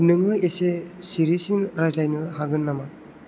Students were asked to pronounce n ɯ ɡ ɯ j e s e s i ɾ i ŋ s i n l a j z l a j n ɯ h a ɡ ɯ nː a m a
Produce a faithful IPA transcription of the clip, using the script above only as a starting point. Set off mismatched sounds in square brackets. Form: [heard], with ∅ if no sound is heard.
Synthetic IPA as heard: n ɯ [ŋ] ɯ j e s e s i ɾ i [∅] s i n [ɾ] a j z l a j n ɯ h a ɡ ɯ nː a m a